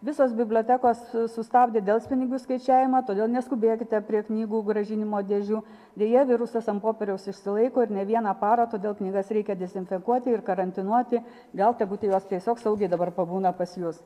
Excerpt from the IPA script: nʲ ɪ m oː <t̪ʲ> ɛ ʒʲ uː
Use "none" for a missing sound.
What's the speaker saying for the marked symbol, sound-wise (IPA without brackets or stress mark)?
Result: d̪ʲ